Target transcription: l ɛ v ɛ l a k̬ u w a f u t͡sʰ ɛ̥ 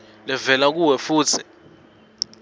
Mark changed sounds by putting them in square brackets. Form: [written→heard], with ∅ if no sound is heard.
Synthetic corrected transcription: l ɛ v ɛ l a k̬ u w [a→ɛ] f [u→uː] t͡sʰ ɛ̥